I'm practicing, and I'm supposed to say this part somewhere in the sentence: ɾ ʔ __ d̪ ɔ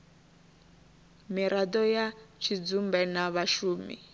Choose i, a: a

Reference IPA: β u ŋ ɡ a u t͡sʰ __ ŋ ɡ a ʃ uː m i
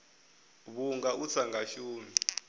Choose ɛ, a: a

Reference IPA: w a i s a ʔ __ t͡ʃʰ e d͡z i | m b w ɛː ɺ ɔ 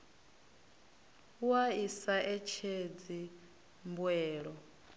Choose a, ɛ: ɛ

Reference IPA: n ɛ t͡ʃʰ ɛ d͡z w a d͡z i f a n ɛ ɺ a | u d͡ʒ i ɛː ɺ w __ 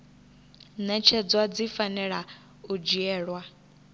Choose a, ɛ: a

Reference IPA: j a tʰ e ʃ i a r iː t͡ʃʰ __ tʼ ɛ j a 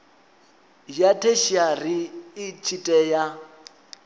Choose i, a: i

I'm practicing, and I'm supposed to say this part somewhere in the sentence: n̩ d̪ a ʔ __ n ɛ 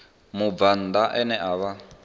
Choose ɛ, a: ɛ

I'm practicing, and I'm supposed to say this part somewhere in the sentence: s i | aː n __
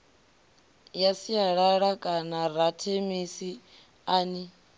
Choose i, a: i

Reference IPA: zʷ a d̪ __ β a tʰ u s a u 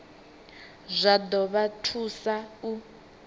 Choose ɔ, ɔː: ɔ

